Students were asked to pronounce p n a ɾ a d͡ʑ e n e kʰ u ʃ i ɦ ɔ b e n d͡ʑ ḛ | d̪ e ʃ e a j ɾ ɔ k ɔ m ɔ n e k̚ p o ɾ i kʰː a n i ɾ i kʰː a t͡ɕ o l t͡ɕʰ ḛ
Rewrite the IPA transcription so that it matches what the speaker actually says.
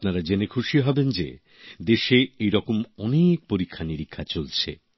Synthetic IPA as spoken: p n a ɾ a d͡ʑ e n e kʰ u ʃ i ɦ ɔ b e n d͡ʑ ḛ | d̪ e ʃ e e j ɾ ɔ k o m ɔ n e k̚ p o ɾ i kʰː a n i ɾ i kʰː a t͡ɕ o l t͡ɕʰ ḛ

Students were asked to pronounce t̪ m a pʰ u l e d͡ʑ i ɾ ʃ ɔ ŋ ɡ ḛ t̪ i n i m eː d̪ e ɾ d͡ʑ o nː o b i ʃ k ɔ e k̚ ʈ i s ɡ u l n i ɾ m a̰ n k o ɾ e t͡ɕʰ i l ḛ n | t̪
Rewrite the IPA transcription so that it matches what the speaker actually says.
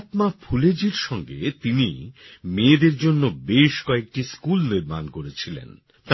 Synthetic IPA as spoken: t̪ m a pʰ u l e d͡ʑ i ɾ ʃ ɔ ŋ ɡ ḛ t̪ i n i m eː d̪ e ɾ d͡ʑ o nː o b e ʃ k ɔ e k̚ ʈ i s k u l n i ɾ m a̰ n k o ɾ e t͡ɕʰ i l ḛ n | t̪

